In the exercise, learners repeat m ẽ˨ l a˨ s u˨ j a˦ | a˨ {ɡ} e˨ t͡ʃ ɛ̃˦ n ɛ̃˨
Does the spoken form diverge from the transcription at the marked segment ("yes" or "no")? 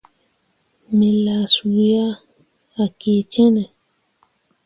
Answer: yes